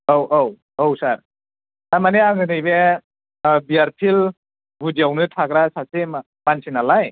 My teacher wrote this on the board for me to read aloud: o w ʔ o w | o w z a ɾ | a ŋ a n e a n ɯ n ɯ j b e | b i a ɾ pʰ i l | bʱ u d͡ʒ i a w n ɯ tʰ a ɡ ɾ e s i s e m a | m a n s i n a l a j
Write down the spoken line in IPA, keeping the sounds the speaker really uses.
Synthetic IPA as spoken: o w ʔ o w | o w s a ɾ | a m a n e a ŋ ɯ n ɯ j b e | b i a ɾ pʰ i l | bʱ u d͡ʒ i a w n ɯ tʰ a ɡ ɾ a s a s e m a | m a n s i n a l a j